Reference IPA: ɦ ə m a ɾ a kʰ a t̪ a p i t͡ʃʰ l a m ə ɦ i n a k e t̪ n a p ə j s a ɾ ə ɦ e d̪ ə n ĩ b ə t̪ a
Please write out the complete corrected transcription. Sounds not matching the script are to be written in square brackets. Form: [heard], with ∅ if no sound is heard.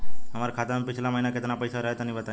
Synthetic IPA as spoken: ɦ ə m a ɾ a kʰ a t̪ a p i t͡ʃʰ l a m ə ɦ i n a k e t̪ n a p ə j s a ɾ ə ɦ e [t̪] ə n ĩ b ə t̪ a